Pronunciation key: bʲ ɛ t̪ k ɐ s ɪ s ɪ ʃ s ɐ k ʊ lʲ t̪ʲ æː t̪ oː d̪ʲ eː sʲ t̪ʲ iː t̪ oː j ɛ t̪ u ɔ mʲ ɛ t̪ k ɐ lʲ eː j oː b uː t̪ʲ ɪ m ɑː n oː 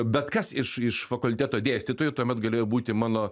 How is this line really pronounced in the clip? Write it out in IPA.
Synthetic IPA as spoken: bʲ ɛ t̪ k ɐ s ɪ ʃ ɪ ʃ f ɐ k ʊ lʲ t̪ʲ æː t̪ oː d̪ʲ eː sʲ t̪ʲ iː t̪ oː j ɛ t̪ u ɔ mʲ ɛ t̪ ɡ ɐ lʲ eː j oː b uː t̪ʲ ɪ m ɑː n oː